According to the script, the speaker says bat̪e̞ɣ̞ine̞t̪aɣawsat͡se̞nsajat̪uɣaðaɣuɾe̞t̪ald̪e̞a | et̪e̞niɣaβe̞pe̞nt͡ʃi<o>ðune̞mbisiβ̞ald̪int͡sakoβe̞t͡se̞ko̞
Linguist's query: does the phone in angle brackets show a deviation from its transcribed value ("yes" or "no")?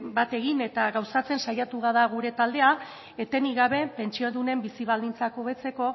no